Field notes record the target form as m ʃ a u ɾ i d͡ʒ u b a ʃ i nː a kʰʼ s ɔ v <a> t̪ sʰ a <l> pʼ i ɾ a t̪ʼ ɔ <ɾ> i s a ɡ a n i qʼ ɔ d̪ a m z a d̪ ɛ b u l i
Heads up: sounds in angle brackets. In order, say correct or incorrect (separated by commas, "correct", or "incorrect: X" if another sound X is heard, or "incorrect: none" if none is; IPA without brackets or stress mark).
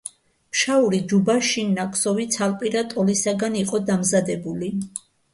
incorrect: i, correct, incorrect: l